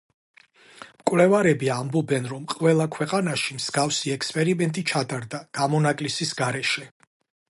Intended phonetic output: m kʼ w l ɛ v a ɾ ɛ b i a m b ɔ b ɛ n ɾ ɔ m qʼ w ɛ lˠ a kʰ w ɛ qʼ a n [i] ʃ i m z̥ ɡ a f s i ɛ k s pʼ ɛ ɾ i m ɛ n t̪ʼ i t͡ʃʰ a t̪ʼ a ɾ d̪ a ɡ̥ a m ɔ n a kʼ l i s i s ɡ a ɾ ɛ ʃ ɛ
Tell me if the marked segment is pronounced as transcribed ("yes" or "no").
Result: no